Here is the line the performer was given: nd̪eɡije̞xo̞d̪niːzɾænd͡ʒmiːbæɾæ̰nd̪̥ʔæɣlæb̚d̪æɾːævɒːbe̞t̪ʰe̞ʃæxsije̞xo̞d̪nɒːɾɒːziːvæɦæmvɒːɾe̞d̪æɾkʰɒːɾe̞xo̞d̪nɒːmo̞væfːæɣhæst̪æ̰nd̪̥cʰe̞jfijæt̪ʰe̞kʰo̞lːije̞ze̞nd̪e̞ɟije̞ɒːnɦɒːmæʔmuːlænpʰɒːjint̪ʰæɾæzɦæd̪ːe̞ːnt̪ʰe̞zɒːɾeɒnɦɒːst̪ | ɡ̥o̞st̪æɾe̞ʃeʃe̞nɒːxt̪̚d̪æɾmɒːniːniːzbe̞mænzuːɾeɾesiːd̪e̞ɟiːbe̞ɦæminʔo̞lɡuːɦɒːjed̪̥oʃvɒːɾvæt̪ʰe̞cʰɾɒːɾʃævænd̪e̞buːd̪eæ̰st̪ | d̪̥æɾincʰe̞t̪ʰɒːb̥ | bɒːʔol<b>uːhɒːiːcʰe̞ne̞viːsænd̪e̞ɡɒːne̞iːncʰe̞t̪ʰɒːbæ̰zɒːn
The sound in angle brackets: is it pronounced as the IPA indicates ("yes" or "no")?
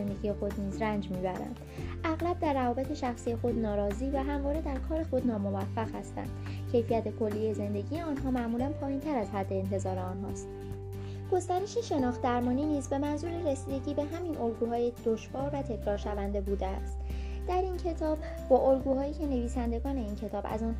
no